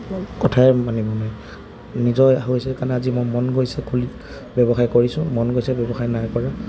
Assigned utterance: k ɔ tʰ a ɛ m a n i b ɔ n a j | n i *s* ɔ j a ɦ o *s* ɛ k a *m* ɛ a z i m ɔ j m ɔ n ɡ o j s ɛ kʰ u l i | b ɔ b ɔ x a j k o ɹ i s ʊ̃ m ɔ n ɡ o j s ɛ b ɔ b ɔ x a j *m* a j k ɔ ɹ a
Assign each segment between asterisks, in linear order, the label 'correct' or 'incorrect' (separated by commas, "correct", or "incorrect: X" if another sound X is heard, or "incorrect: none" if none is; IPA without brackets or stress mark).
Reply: incorrect: z, correct, incorrect: n, incorrect: n